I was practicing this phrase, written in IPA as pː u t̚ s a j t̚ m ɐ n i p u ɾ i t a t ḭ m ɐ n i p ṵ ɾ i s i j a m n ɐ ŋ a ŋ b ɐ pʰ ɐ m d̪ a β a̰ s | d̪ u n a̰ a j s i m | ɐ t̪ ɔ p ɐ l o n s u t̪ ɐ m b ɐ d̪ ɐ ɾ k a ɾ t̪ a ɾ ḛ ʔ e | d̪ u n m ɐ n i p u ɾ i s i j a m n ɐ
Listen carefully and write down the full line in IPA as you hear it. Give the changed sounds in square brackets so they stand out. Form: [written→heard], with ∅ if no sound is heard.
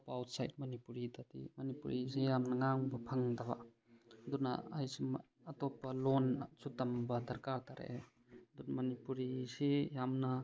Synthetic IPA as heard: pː [u→w] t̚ s a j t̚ m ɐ n i p u ɾ i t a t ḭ m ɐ n i p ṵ ɾ i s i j a m n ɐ ŋ a ŋ b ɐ pʰ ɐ [m→ŋ] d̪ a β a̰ [s→∅] | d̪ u n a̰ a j s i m | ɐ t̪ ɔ p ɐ l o n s u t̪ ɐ m b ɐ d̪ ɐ ɾ k a ɾ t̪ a ɾ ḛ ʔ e | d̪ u n m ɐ n i p u ɾ i s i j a m n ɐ